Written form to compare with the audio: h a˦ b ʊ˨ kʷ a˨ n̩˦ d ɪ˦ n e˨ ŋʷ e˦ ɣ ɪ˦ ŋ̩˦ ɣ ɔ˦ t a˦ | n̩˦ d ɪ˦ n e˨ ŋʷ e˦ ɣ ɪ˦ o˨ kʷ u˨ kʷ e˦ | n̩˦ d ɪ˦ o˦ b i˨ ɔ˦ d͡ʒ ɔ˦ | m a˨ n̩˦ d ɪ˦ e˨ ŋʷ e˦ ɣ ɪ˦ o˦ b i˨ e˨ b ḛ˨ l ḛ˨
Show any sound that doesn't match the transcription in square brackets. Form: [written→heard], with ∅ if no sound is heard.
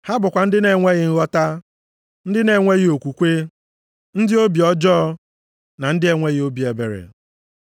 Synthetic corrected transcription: h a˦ b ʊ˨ kʷ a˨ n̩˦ d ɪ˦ n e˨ ŋʷ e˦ ɣ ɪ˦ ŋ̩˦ ɣ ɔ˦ t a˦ | n̩˦ d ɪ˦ n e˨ ŋʷ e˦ ɣ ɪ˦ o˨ kʷ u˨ kʷ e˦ | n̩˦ d ɪ˦ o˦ b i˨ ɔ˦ d͡ʒ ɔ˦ | [m→n] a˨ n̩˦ d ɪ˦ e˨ ŋʷ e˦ ɣ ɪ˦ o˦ b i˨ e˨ b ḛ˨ [l→ɾ] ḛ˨

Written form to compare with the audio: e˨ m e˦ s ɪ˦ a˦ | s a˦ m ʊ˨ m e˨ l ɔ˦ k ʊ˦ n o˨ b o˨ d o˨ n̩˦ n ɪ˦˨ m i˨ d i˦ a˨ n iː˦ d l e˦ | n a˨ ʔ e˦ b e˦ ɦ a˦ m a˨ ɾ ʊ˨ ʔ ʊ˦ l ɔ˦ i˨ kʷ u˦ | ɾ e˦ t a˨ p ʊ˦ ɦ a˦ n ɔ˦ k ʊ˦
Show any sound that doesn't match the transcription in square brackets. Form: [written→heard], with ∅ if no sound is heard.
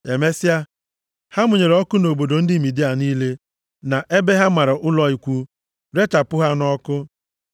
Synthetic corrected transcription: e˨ m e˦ s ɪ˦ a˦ | [s→h] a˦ m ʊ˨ [m→ɲ] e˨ [l→ɾ] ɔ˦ k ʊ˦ n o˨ b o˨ d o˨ n̩˦ [n→d] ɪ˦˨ m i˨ d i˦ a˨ n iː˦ [d→∅] l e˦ | n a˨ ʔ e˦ b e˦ ɦ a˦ m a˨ ɾ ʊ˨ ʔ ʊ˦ l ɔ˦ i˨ kʷ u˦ | ɾ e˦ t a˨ p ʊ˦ ɦ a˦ n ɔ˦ k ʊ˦

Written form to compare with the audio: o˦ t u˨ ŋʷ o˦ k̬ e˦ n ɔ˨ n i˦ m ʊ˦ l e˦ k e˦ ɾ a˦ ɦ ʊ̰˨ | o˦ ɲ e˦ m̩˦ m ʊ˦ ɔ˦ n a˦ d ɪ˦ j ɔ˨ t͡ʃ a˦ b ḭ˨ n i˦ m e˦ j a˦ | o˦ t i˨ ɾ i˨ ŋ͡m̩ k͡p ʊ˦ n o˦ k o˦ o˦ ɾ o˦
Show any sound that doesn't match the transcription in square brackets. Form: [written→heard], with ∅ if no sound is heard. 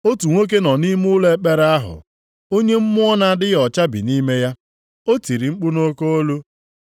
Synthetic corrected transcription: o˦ t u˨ ŋʷ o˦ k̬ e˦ n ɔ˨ n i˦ m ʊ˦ l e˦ [k→k͡p] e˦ ɾ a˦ ɦ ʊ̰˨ | o˦ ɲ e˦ m̩˦ m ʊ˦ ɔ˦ n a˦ d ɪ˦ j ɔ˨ t͡ʃ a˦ b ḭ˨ n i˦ m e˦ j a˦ | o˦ t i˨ ɾ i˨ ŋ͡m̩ k͡p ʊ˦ n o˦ k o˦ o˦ [ɾ→l] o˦

